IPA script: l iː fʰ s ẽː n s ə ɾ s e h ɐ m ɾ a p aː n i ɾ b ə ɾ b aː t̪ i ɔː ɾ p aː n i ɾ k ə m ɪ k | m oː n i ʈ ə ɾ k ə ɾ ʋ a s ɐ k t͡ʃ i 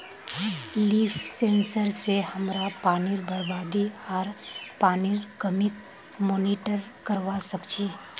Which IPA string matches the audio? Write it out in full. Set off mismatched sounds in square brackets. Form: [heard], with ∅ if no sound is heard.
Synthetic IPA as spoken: l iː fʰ s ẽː n s ə ɾ s e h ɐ m ɾ a p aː n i ɾ b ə ɾ b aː [d̪] i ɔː ɾ p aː n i ɾ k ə m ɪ k | m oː n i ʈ ə ɾ k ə ɾ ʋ a s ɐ k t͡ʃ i